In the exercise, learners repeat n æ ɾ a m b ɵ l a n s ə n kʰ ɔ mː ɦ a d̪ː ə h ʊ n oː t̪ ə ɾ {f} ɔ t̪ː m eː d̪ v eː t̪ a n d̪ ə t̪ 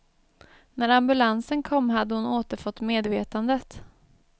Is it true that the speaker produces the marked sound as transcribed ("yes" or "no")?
yes